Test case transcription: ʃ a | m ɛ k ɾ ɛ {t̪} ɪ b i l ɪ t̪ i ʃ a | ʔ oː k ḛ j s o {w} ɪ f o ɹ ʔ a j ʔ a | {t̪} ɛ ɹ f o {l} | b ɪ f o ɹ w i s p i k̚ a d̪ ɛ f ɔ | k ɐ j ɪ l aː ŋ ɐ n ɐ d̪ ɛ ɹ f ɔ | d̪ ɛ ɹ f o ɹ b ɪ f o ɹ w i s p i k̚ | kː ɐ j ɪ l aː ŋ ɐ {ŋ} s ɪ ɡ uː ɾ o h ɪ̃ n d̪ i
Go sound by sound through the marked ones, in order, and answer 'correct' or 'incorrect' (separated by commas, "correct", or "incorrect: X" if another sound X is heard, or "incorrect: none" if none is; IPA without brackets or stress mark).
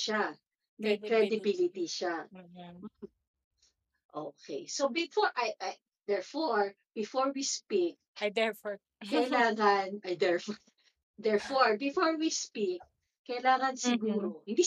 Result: incorrect: d̪, incorrect: b, incorrect: d̪, incorrect: ɹ, incorrect: n